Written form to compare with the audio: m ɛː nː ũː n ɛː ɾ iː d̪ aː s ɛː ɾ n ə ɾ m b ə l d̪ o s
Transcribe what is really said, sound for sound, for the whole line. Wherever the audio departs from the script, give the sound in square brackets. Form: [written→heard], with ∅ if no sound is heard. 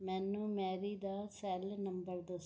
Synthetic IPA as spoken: m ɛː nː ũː [n→m] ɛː ɾ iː d̪ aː s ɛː [ɾ→l] n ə [ɾ→∅] m b ə [l→ɾ] d̪ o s